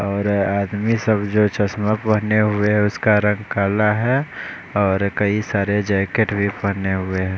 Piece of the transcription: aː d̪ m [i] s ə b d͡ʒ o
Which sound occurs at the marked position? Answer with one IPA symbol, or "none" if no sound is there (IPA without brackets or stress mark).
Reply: i